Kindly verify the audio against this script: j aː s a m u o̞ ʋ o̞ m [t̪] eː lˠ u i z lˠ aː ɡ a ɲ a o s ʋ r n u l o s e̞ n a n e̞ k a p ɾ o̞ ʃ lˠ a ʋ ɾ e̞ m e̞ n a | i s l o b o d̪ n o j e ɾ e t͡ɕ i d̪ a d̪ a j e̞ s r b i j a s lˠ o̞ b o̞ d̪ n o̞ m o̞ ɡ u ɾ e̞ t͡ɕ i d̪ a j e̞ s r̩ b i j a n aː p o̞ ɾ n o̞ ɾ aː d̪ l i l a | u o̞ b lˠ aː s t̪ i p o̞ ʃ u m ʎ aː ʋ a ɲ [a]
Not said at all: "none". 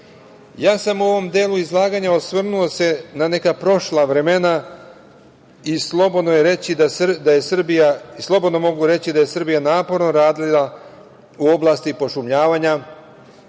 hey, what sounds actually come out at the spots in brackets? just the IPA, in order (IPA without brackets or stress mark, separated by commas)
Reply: d̪, a